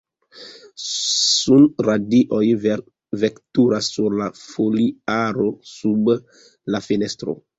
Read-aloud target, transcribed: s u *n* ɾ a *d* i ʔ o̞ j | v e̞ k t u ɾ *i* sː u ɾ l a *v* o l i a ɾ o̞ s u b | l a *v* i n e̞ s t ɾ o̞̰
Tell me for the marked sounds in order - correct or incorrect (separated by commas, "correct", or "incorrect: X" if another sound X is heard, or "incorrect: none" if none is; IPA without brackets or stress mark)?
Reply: correct, correct, incorrect: a, incorrect: f, incorrect: f